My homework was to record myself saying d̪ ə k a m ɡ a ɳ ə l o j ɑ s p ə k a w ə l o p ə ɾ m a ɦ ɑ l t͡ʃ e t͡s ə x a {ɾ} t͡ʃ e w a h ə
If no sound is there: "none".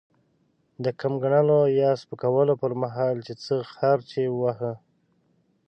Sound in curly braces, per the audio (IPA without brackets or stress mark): ɾ